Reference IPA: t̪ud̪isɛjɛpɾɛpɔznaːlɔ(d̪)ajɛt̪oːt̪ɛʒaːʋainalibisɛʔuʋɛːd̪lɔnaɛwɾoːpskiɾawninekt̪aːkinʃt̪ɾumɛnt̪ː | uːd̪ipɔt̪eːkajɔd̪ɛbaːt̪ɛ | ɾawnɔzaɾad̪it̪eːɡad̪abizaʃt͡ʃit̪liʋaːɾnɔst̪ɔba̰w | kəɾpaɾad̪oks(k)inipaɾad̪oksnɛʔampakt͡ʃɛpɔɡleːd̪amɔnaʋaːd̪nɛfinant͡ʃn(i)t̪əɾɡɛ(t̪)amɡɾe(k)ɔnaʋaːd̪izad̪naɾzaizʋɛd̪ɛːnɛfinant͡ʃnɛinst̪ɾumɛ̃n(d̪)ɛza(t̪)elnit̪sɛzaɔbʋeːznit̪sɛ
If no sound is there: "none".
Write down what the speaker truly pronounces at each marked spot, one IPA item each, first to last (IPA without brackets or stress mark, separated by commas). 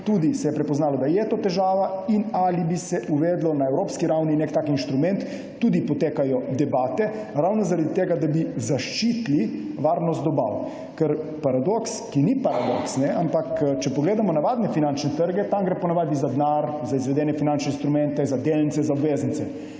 d̪, k, ɛ, t̪, p, t̪, d̪